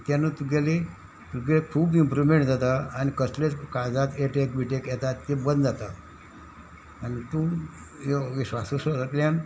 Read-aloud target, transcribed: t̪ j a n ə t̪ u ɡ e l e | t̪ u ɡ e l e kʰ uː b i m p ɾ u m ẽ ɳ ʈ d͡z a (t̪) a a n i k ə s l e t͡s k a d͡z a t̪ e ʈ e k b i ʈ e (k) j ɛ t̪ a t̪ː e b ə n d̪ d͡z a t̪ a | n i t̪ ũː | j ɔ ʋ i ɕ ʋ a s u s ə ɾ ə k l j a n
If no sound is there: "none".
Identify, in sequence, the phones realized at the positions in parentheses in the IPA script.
t̪, k

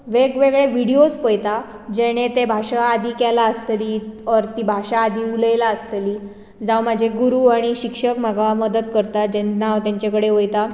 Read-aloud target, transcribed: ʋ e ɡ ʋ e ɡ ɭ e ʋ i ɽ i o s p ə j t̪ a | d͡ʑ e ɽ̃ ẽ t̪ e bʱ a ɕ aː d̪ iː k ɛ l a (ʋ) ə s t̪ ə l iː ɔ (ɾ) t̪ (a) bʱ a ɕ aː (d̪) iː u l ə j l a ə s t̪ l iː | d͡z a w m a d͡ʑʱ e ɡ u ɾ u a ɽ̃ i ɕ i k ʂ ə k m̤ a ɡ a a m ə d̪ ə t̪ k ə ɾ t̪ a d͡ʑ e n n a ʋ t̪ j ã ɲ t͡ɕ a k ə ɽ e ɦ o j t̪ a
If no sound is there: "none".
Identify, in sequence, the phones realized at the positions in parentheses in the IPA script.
none, ɾ, i, d̪

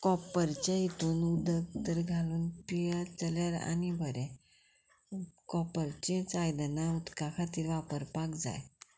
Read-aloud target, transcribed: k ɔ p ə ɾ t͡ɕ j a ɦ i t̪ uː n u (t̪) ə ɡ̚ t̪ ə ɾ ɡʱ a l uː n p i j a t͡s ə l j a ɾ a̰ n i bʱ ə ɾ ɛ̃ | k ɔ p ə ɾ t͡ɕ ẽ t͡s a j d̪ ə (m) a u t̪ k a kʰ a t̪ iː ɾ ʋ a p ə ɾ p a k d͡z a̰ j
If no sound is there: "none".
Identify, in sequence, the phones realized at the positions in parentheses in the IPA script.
d̪, n

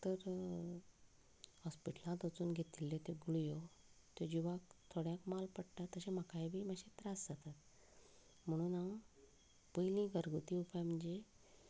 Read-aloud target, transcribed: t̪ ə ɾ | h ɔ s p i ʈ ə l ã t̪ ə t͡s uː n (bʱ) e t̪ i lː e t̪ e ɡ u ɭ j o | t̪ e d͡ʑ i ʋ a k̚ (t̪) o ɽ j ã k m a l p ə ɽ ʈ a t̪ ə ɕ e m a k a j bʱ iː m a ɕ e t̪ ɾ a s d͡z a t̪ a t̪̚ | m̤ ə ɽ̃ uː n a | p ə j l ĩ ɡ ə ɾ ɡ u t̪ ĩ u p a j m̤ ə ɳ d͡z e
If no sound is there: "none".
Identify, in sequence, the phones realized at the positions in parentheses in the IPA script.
ɡʱ, t̪ʰ

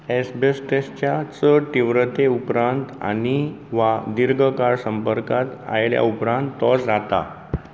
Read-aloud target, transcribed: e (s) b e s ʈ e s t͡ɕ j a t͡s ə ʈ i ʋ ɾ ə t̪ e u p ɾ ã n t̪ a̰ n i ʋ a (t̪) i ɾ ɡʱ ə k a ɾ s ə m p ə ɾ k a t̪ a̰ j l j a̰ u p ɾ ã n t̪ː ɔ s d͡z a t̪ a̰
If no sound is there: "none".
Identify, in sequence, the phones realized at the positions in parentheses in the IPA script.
s, d̪

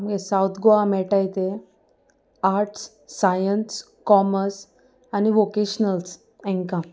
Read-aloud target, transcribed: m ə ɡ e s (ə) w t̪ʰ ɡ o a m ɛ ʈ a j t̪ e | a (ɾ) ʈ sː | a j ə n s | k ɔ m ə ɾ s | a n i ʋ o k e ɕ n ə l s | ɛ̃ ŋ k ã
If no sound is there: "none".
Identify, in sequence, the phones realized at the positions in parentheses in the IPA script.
a, ɾ

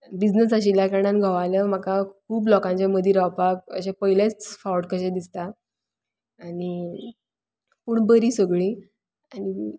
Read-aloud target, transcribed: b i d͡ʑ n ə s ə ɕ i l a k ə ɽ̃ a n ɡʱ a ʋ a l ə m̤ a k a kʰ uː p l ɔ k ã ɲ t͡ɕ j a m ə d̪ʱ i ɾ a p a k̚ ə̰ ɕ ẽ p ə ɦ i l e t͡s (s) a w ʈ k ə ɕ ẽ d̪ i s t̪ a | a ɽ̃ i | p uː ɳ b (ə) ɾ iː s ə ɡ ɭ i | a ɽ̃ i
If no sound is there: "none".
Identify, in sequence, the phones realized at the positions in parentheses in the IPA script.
f, ə

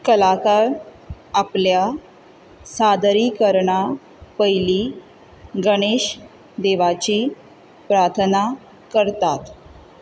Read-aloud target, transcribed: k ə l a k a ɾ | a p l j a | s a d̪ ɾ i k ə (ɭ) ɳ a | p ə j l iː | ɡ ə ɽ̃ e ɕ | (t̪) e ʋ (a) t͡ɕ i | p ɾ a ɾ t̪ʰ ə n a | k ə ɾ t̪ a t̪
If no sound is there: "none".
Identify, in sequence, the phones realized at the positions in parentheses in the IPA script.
ɾ, d̪, a

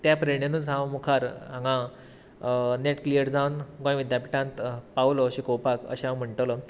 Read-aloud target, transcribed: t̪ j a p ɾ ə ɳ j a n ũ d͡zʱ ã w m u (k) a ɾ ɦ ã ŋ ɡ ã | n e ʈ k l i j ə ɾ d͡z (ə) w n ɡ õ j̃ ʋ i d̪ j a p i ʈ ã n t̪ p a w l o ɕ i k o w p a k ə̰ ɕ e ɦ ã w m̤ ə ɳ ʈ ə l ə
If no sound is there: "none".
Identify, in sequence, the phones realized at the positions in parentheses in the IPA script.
kʰ, a

